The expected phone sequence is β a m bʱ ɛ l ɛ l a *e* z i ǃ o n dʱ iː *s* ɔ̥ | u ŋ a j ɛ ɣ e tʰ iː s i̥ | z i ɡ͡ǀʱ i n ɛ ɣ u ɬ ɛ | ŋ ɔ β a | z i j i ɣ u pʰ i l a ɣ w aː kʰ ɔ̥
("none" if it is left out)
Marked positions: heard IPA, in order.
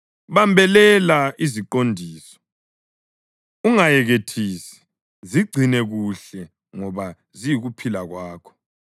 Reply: i, s

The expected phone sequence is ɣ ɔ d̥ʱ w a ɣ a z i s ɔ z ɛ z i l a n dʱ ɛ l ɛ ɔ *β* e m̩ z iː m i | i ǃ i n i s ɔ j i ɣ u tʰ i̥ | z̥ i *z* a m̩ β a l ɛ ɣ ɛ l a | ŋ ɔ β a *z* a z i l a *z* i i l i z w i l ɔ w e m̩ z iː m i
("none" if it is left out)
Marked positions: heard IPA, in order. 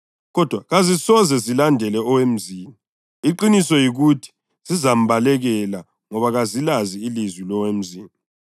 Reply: w, z, ɣ, z

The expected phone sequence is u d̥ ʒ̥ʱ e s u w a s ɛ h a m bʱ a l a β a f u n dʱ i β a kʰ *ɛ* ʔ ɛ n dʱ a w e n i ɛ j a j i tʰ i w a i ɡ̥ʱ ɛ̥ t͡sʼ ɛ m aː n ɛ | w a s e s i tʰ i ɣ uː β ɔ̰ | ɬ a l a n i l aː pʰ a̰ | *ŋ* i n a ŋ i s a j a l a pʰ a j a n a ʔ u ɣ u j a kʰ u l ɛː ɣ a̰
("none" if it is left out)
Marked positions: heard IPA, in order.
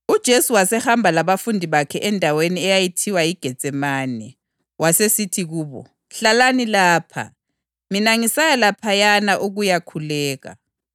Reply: ɛ, m

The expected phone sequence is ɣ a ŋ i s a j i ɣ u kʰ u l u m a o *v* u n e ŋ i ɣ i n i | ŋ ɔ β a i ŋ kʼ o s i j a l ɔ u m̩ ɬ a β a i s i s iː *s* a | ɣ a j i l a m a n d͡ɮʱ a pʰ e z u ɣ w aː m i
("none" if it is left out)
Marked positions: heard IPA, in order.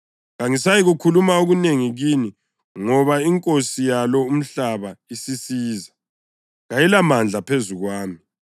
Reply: ɣ, z

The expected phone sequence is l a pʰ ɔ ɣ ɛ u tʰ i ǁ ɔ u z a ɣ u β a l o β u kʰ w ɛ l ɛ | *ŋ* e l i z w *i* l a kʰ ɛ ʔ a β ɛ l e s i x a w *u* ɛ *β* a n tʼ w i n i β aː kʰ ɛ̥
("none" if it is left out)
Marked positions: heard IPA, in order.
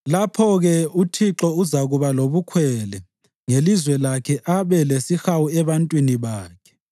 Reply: ŋ, ɛ, u, β

